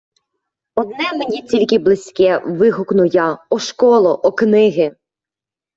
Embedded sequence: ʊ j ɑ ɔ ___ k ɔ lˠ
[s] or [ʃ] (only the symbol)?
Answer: ʃ